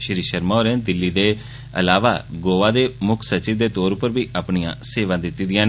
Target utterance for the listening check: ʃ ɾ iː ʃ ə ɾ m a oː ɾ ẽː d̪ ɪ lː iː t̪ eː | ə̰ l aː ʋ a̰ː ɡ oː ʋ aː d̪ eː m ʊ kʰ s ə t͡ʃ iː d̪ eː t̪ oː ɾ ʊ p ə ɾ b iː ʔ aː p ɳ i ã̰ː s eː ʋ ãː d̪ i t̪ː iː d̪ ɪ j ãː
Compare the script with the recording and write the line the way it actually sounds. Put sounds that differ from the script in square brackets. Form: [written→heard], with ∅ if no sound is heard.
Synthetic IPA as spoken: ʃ ɾ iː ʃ ə ɾ m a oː ɾ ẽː d̪ ɪ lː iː [t̪→d̪] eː | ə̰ l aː ʋ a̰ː ɡ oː ʋ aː d̪ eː m ʊ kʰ s ə t͡ʃ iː d̪ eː t̪ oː ɾ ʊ p ə ɾ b iː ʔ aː p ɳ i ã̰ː s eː ʋ ãː d̪ [i→ɪ] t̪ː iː d̪ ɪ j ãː

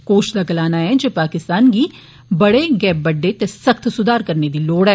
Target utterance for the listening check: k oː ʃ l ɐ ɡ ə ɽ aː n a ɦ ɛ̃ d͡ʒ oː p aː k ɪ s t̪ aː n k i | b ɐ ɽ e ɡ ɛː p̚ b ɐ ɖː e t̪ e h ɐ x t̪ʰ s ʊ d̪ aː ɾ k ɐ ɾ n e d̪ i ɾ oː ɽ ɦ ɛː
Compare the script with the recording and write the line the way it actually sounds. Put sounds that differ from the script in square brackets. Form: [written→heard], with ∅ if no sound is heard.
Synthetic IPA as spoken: k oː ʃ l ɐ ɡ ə [ɽ→l] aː n a ɦ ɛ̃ d͡ʒ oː p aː k ɪ s t̪ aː n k i | b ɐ ɽ e ɡ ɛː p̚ b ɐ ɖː e t̪ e [h→s] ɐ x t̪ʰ s ʊ d̪ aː ɾ k ɐ ɾ n e d̪ i [ɾ→l] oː ɽ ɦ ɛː

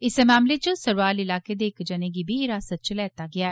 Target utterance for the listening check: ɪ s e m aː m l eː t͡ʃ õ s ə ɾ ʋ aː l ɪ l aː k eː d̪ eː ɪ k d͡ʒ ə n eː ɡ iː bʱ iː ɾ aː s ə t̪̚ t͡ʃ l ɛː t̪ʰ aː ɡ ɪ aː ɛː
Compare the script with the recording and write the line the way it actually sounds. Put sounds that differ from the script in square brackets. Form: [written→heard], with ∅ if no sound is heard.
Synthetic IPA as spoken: ɪ s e m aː m l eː t͡ʃ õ s ə ɾ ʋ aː l ɪ l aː k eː d̪ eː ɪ k d͡ʒ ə n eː ɡ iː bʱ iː ɾ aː s ə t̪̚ t͡ʃ l ɛː [t̪ʰ→t̪] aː ɡ ɪ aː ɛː

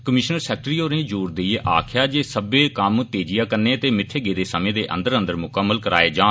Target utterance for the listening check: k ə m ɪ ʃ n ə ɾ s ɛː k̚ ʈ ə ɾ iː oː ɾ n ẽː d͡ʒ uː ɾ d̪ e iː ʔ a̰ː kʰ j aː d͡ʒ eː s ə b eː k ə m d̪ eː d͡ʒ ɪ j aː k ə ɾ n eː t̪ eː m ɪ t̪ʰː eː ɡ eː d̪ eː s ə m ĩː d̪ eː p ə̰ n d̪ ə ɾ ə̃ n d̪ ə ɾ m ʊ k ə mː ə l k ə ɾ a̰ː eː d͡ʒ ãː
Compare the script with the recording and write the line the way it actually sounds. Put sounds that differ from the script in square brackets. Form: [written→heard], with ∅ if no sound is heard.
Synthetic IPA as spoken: k ə m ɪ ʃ n ə ɾ s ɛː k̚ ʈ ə ɾ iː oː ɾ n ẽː d͡ʒ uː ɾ d̪ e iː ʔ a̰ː kʰ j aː d͡ʒ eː s ə b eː k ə m [d̪→t̪] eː d͡ʒ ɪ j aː k ə ɾ n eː t̪ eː m ɪ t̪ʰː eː ɡ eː d̪ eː s ə m [ĩː→ẽː] d̪ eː [p→ʔ] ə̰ n d̪ ə ɾ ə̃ n d̪ ə ɾ m ʊ k ə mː ə l k ə ɾ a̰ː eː d͡ʒ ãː

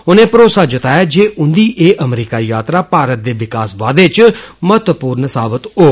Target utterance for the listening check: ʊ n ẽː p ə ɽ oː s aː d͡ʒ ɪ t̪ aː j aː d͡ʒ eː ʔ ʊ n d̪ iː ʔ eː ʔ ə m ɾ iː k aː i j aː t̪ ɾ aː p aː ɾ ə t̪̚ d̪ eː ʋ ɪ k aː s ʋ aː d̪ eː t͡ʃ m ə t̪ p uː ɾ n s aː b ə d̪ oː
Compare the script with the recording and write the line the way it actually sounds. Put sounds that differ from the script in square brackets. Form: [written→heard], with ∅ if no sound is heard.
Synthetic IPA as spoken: ʊ n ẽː p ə [ɽ→ɾ] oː s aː d͡ʒ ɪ t̪ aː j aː d͡ʒ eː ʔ ʊ n d̪ iː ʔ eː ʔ ə m ɾ iː k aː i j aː t̪ ɾ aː p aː ɾ ə t̪̚ d̪ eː ʋ ɪ k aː s ʋ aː d̪ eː t͡ʃ m ə t̪ p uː ɾ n s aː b ə [d̪→t̪] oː

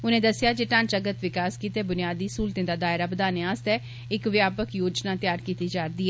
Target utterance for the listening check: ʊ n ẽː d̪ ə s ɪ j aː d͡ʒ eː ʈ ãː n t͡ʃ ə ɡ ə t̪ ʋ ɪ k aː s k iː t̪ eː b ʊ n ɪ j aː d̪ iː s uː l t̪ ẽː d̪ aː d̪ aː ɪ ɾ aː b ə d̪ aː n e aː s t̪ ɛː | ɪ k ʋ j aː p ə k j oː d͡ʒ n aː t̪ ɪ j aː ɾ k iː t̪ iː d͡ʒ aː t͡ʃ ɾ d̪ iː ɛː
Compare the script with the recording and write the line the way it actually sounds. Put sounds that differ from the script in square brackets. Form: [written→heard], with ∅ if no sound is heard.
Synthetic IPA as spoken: ʊ n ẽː d̪ ə s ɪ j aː d͡ʒ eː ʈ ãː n t͡ʃ ə ɡ ə t̪ ʋ ɪ k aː s k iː t̪ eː b ʊ n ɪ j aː d̪ iː s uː l t̪ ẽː d̪ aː d̪ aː ɪ ɾ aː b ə d̪ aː n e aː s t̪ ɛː | ɪ k ʋ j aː p ə k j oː d͡ʒ n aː t̪ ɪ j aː ɾ k iː t̪ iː d͡ʒ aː [t͡ʃ→∅] ɾ d̪ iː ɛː

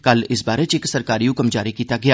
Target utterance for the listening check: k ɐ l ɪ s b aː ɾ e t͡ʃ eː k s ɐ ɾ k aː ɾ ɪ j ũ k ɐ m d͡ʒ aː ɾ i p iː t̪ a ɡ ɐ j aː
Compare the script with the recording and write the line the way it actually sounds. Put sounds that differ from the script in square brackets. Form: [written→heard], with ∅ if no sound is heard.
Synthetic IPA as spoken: k ɐ l ɪ s b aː ɾ e t͡ʃ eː k s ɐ ɾ k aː ɾ [ɪ→i] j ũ k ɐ m d͡ʒ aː ɾ i [p→k] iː t̪ a ɡ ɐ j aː

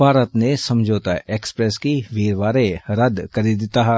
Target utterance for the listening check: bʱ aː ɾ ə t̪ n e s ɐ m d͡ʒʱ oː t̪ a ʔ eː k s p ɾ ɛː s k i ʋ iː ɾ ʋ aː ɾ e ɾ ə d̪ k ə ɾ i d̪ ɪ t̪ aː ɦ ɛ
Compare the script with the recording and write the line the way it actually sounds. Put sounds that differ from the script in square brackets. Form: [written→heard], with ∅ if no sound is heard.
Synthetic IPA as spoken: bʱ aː ɾ ə t̪ n e s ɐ m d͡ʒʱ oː t̪ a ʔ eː k s p ɾ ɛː s k i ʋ iː ɾ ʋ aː ɾ e ɾ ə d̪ k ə ɾ i d̪ ɪ t̪ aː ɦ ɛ

